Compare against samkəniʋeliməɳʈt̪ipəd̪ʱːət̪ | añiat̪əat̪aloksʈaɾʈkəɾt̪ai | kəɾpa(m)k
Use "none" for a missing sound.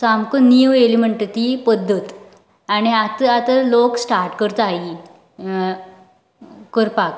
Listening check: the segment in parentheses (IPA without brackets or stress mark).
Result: none